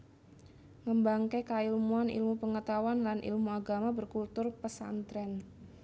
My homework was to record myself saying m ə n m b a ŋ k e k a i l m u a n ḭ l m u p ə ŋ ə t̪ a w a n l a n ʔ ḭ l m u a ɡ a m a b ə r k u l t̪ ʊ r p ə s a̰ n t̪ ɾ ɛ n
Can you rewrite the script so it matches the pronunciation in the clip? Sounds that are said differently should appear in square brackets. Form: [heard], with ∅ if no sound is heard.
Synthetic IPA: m ə [∅] m b a ŋ k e k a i l m u a n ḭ l m u p ə ŋ ə t̪ a w a n l a n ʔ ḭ l m u a ɡ a m a b ə r k u l t̪ ʊ r p ə s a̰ n t̪ ɾ ɛ n